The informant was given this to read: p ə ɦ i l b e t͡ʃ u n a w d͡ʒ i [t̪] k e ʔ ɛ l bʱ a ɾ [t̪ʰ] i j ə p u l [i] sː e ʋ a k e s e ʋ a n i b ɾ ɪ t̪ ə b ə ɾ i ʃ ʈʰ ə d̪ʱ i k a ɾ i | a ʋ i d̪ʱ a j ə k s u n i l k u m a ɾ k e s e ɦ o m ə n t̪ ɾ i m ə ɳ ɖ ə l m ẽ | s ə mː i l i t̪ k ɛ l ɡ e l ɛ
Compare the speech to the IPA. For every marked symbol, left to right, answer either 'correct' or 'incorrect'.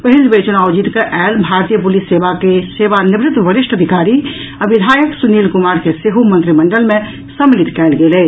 correct, incorrect: t̪, correct

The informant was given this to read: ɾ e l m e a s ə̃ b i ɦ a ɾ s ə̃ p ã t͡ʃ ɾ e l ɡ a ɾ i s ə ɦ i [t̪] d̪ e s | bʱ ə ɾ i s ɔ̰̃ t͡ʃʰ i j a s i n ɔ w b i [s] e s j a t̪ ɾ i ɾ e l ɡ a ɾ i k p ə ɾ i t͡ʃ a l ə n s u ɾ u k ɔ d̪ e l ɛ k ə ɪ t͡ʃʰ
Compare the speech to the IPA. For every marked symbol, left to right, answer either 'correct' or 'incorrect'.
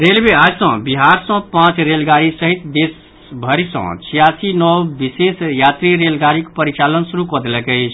correct, correct

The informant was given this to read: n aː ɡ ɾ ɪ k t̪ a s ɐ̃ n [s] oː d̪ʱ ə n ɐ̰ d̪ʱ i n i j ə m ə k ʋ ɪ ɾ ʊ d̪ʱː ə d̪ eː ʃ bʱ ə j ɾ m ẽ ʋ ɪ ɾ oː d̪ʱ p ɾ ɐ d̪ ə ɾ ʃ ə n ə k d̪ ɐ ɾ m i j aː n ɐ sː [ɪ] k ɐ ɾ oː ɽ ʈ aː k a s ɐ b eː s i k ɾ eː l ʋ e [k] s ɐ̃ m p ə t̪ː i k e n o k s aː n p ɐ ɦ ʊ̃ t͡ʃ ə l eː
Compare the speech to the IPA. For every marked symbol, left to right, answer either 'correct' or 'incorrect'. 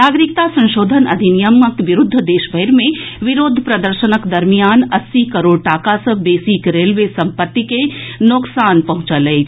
incorrect: ʃ, incorrect: i, incorrect: none

